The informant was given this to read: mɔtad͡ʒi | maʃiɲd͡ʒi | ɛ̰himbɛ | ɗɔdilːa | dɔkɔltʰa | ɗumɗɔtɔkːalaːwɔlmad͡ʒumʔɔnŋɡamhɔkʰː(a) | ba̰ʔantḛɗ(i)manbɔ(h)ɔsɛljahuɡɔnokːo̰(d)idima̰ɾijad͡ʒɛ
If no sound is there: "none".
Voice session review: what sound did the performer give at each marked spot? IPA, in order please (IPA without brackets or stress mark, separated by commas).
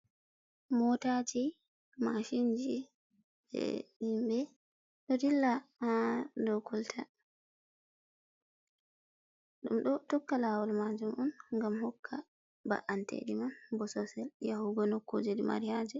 a, i, s, d͡ʒ